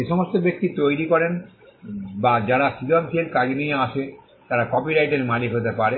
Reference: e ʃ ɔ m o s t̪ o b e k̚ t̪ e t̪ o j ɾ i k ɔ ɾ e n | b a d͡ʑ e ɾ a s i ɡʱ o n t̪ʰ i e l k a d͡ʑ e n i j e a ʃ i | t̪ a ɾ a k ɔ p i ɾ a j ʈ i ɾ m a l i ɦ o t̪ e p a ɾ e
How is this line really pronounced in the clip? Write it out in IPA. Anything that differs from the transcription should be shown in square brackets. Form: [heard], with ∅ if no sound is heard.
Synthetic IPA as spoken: e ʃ ɔ m o s t̪ o b e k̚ t̪ [i] t̪ o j ɾ i k ɔ ɾ e n | b a d͡ʑ [a] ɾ a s i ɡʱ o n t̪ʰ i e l k a d͡ʑ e n i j e a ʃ [e] | t̪ a ɾ a k ɔ p i ɾ a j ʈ [e] ɾ m a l i ɦ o t̪ e p a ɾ e

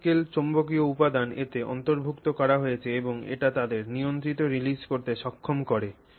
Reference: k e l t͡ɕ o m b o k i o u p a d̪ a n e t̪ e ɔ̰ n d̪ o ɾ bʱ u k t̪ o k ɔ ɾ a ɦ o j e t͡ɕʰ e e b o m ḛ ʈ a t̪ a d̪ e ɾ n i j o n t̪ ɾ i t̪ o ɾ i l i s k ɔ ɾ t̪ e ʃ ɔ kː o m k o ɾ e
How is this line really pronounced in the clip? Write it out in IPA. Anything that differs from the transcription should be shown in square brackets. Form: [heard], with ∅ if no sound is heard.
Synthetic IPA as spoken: k e l t͡ɕ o m b o k i o u p a d̪ a n e t̪ e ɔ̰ n [t̪] o ɾ bʱ u k t̪ o k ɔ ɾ a ɦ o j e t͡ɕʰ e e b o [ŋ] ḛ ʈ a t̪ a d̪ e ɾ n i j o n t̪ ɾ i t̪ o ɾ i l i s k [o] ɾ t̪ e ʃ ɔ [kʰː] o m k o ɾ e

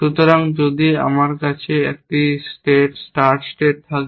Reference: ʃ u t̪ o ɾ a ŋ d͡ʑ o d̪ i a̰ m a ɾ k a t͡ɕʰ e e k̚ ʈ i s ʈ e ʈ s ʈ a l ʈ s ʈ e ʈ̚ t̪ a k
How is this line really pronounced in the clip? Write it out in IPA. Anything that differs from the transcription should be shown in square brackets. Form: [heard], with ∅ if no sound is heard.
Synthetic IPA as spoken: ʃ u t̪ o ɾ a ŋ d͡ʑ o d̪ i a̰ m a ɾ k a t͡ɕʰ e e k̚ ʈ i s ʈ e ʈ s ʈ a [ɾ] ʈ s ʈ e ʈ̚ [t̪ʰ] a k

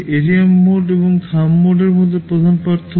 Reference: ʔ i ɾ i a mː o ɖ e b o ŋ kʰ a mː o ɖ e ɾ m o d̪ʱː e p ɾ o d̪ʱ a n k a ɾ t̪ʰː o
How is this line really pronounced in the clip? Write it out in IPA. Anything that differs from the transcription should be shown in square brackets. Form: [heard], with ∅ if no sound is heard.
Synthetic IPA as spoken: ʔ [e] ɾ i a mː o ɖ e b o ŋ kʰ a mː o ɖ e ɾ m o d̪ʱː e p ɾ o d̪ʱ a n [p] a ɾ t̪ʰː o

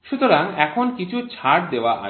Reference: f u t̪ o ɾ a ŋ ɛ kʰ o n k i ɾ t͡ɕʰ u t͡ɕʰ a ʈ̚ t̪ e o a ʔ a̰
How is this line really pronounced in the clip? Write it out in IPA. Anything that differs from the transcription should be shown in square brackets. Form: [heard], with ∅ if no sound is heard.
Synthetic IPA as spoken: [ʃ] u t̪ o ɾ a ŋ ɛ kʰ o n k i [∅] t͡ɕʰ u t͡ɕʰ a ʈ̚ [d̪] e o a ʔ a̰

